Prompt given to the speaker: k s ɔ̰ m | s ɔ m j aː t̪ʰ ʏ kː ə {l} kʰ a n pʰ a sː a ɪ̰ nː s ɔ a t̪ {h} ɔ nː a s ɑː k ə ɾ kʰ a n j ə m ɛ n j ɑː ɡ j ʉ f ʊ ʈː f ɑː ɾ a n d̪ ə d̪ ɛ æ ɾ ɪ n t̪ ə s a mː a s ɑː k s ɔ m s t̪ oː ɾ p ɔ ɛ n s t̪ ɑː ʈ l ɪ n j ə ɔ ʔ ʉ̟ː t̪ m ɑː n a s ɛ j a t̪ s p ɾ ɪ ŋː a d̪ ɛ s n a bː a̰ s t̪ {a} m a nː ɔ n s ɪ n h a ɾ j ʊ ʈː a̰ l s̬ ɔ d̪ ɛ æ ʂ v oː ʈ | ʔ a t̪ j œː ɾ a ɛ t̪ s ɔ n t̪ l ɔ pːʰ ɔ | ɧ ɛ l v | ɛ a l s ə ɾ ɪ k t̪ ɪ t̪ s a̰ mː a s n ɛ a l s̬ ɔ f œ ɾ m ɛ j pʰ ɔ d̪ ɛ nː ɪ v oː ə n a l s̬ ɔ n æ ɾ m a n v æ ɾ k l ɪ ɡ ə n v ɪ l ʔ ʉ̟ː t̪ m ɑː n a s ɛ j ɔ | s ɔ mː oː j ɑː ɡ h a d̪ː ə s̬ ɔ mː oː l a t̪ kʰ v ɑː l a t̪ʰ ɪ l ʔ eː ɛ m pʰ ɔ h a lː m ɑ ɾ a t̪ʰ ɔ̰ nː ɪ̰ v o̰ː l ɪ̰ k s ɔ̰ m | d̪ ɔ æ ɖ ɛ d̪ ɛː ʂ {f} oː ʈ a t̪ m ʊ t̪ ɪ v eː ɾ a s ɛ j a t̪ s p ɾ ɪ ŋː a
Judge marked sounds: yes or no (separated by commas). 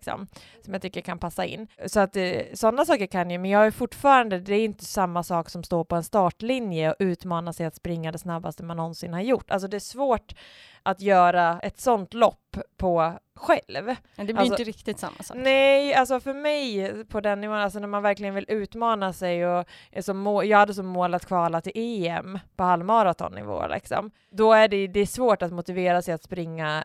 no, no, no, no